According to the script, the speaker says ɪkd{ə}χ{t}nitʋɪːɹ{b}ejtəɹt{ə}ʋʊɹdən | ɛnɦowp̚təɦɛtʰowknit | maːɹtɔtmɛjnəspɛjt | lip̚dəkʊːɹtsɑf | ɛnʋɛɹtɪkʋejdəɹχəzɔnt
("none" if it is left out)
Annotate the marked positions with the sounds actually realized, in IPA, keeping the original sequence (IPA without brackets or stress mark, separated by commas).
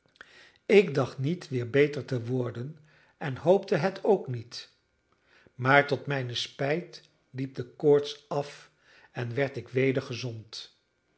ɑ, t, b, ə